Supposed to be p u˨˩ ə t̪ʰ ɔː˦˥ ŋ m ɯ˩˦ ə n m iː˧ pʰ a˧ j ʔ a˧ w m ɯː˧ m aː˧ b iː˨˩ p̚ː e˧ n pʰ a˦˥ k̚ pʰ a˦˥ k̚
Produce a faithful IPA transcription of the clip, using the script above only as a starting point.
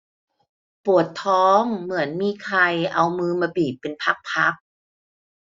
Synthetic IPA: p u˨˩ ə t̪ʰ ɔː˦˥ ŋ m ɯ˩˦ ə n m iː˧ kʰ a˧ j ʔ a˧ w m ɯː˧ m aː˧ b iː˨˩ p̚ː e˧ n pʰ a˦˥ k̚ pʰ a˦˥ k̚